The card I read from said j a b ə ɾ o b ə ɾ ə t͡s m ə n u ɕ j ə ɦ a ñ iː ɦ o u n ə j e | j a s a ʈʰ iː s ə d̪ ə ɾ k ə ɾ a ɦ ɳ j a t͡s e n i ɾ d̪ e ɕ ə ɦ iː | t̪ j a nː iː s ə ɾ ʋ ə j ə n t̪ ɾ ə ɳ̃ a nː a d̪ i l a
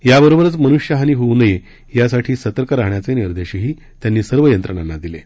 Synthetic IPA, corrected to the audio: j a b ə ɾ o b ə ɾ ə t͡s m ə n u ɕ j ə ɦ a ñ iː ɦ o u n ə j e | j a s a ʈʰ iː s ə t̪ ə ɾ k ə ɾ a ɦ ɳ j a t͡s e n i ɾ d̪ e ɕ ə ɦ iː | t̪ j a nː iː s ə ɾ ʋ ə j ə n t̪ ɾ ə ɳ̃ a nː a d̪ i l e